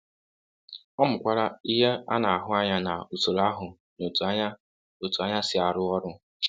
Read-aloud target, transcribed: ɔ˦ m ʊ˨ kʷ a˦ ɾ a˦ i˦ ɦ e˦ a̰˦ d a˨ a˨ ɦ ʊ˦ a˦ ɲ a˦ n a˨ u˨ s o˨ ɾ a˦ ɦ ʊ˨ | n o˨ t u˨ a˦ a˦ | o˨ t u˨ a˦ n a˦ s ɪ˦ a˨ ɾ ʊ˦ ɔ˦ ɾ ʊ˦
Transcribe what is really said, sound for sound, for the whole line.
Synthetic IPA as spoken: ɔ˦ m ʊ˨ kʷ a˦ ɾ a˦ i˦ ɦ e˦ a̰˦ n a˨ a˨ ɦ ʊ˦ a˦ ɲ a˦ n a˨ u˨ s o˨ ɾ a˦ ɦ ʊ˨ | n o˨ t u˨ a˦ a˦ | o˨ t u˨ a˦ ɲ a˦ s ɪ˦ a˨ ɾ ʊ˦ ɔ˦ ɾ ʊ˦

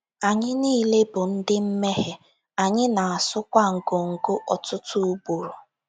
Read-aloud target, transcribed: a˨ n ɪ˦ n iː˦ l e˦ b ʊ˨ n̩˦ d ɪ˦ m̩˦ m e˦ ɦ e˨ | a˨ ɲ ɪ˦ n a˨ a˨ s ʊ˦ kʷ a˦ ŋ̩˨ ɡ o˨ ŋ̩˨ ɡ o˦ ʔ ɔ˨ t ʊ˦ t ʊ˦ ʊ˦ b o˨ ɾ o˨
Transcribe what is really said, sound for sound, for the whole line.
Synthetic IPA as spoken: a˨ ɲ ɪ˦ n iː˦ l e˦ b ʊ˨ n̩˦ d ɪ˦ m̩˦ m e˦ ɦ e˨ | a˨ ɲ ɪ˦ n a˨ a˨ s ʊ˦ kʷ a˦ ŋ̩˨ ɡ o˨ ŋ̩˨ ɡ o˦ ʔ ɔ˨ t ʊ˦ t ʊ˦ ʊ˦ b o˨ ɾ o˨

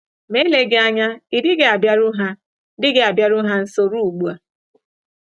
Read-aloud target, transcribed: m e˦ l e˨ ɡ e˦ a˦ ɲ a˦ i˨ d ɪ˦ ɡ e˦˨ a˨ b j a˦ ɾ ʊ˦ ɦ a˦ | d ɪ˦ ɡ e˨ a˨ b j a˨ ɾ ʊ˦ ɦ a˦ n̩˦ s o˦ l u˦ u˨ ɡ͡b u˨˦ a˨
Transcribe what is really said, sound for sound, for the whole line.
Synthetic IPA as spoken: m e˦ l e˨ ɡ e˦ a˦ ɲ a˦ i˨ d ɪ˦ ɡ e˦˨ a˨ b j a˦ ɾ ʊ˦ ɦ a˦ | d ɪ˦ ɡ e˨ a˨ b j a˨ ɾ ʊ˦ ɦ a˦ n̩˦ s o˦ ɾ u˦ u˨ ɡ͡b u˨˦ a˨

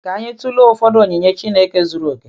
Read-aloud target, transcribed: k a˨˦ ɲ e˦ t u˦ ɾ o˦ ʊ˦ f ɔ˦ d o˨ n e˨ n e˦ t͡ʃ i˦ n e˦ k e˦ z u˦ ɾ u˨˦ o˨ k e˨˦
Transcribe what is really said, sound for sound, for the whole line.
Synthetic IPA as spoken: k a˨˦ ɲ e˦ t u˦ l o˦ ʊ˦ f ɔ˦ d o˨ ɲ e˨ ɲ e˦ t͡ʃ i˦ n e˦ k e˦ z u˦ ɾ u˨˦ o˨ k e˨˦

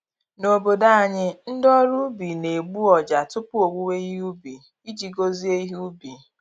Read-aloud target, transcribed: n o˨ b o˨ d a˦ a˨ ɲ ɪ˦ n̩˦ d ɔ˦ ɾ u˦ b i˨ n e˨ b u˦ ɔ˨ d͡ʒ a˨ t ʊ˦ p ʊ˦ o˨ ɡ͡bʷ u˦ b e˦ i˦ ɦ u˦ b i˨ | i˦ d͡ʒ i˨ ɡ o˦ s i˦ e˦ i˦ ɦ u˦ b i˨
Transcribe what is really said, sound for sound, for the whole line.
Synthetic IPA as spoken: n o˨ b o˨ d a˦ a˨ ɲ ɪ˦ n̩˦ d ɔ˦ ɾ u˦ b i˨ n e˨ ɡ͡b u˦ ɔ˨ d͡ʒ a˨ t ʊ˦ p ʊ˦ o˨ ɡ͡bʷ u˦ w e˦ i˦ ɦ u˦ b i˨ | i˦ d͡ʒ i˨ ɡ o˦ z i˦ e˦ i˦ ɦ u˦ b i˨

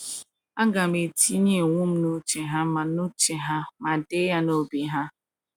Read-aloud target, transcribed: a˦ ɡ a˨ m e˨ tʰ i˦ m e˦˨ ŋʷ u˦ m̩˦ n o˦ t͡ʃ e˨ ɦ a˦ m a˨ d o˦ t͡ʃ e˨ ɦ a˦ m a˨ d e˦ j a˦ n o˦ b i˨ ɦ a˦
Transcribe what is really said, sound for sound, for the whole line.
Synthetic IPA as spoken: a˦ ɡ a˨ m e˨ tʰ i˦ ɲ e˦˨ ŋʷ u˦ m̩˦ n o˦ t͡ʃ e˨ ɦ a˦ m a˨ n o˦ t͡ʃ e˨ ɦ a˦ m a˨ d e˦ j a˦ n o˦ b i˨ ɦ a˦

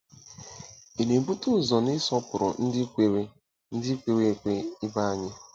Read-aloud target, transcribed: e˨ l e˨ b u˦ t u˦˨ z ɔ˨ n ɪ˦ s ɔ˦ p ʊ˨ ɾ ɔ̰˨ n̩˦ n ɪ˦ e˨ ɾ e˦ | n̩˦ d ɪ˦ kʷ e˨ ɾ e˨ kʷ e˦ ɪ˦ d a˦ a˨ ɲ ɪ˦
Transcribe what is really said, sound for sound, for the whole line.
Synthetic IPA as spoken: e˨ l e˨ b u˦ t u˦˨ z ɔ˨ n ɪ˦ s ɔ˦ p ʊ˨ ɾ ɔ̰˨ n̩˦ d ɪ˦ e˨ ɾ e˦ | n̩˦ d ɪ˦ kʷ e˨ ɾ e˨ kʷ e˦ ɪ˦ b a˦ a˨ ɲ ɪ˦

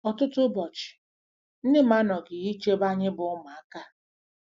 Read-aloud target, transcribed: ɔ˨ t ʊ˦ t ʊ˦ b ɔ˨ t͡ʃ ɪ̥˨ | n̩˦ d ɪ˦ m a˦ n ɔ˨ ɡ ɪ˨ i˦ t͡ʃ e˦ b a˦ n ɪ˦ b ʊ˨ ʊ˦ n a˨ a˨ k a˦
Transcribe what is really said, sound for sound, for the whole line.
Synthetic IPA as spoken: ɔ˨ t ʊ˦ t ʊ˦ b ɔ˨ t͡ʃ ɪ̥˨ | n̩˦ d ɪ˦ m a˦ n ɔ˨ ɡ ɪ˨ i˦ t͡ʃ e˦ b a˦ ɲ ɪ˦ b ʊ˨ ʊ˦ m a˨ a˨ k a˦

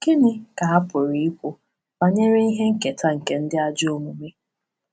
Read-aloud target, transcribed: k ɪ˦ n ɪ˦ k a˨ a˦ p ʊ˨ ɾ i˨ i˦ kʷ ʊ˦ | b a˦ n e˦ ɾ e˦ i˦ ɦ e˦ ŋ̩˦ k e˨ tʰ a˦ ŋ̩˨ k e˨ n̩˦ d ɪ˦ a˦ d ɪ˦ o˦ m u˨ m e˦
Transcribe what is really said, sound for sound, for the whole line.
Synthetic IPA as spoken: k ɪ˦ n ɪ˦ k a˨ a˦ p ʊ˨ ɾ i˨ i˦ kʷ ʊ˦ | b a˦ ɲ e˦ ɾ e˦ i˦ ɦ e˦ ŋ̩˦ k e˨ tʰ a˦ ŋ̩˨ k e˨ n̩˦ d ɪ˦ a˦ d͡ʒ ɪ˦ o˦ m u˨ m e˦

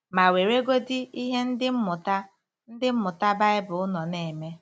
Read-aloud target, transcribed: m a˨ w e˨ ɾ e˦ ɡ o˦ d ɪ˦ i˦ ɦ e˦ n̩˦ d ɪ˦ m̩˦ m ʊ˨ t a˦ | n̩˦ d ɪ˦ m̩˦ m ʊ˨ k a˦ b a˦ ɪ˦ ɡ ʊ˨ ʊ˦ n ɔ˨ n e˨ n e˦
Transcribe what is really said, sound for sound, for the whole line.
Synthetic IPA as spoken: m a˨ w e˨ ɾ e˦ ɡ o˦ d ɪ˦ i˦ ɦ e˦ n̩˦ d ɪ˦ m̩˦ m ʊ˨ t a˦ | n̩˦ d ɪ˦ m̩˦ m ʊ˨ t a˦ b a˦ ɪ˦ b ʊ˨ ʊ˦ n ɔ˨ n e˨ m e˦

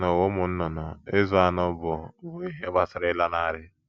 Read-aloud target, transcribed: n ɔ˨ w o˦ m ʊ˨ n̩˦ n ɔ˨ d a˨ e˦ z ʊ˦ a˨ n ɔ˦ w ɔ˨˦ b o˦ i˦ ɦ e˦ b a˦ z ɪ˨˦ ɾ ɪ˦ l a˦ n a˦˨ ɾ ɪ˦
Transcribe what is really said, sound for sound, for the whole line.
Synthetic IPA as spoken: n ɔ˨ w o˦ m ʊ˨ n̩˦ n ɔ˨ n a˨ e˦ z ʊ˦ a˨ n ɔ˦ b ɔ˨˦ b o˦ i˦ ɦ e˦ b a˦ s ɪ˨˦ ɾ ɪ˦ l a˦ n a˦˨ ɾ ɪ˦

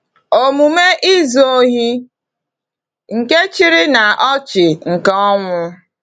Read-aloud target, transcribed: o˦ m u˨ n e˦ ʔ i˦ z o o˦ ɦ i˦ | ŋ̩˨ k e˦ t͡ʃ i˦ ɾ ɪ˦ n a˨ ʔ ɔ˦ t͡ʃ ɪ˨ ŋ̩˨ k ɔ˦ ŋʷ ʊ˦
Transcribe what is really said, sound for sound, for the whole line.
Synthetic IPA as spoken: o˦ m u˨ m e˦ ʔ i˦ z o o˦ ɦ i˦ | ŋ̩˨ k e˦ t͡ʃ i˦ ɾ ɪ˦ n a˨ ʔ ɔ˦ t͡ʃ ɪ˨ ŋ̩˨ k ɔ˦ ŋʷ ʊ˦

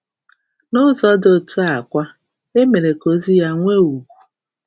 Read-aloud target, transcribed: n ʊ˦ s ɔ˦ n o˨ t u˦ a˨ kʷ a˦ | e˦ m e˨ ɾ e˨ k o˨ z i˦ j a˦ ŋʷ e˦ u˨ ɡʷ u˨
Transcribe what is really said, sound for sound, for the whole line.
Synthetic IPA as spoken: n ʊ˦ z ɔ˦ d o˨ t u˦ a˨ kʷ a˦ | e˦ m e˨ ɾ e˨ k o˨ z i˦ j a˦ ŋʷ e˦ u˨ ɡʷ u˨

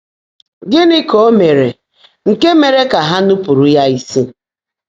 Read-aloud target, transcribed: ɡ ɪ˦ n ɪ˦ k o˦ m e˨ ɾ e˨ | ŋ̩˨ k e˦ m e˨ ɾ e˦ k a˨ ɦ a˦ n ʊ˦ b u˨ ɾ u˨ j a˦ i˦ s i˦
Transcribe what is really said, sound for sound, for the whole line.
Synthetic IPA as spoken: ɡ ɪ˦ n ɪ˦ k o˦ m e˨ ɾ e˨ | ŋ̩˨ k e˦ m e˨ ɾ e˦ k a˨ ɦ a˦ n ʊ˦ p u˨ ɾ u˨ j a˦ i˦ s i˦

